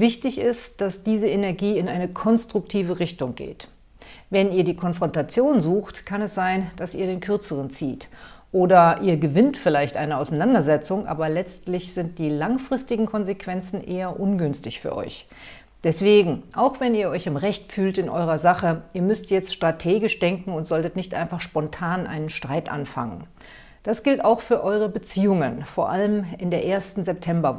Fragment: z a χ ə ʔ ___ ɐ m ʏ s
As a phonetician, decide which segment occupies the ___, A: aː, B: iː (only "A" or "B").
B